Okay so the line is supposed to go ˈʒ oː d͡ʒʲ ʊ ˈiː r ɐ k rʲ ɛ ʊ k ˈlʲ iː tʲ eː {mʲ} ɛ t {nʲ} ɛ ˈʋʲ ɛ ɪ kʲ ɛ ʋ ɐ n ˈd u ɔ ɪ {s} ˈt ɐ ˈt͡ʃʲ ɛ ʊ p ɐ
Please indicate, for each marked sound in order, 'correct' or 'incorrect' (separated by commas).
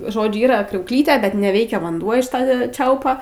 incorrect, correct, incorrect